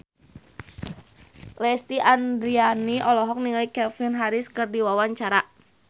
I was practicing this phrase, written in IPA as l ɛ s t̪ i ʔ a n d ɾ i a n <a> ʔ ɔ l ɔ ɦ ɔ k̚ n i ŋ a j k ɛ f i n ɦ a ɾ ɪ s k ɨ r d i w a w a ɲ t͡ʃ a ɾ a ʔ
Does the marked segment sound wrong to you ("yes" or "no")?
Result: yes